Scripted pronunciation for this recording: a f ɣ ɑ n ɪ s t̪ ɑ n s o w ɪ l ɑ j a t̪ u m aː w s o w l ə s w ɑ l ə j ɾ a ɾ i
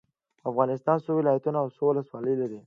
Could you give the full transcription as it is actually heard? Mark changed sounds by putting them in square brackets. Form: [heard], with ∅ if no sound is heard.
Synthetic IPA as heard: a f ɣ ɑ n ɪ s t̪ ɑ n s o w ɪ l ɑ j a t̪ u [n] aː w s o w l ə s w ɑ l ə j [l] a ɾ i